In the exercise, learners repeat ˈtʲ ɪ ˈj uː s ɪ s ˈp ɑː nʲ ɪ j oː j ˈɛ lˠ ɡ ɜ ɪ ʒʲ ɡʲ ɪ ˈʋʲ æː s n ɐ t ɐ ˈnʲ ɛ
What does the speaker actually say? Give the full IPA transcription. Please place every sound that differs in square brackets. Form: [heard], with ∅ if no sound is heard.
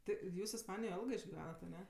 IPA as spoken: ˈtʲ ɪ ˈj uː s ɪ s ˈp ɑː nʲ ɪ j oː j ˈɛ lˠ ɡ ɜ ɪ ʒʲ ɡʲ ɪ ˈʋʲ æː [∅] n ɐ t ɐ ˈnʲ ɛ